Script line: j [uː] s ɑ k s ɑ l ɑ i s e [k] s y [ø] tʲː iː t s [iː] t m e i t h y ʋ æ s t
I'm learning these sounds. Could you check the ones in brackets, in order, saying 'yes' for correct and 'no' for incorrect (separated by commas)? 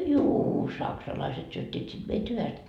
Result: yes, no, yes, no